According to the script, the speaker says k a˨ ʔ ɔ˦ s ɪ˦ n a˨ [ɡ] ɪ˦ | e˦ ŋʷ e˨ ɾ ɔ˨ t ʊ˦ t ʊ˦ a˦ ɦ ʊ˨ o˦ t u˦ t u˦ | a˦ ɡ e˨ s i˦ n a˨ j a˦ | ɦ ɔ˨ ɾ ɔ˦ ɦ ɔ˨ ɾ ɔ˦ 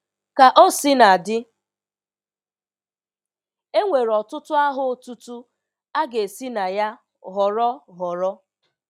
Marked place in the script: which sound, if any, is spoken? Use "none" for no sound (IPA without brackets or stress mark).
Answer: d